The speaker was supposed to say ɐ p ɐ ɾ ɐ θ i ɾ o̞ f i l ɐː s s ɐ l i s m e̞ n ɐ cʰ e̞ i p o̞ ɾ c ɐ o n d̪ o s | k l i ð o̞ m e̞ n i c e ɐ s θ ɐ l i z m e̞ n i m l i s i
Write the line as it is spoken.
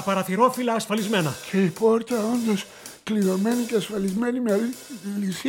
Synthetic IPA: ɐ p ɐ ɾ ɐ θ i ɾ o̞ f i l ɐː s f ɐ l i z m e̞ n ɐ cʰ e̞ i p o̞ ɾ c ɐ o n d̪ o s | k l i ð o̞ m e̞ n i c e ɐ s f ɐ l i z m e̞ n i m l i s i